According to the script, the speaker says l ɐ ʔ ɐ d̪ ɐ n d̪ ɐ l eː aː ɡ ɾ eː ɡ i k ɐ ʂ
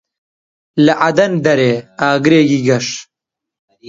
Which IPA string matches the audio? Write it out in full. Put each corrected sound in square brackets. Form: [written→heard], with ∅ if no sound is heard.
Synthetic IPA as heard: l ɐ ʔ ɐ d̪ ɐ n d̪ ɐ [l→ɾ] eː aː ɡ ɾ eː ɡ i [k→ɡ] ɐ ʂ